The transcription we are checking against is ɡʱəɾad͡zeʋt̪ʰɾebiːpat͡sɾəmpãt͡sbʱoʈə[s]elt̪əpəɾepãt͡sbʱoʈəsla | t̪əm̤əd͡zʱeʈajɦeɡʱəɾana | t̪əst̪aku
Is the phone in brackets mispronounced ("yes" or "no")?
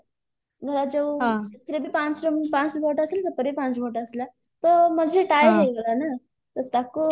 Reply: no